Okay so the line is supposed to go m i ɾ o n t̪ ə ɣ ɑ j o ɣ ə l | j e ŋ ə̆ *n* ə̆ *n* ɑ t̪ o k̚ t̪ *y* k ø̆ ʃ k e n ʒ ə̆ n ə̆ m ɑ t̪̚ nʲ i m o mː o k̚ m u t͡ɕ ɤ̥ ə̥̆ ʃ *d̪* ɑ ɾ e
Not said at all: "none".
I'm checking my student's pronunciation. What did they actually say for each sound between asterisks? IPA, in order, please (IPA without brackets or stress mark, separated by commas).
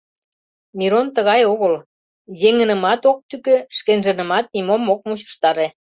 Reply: n, m, y, t̪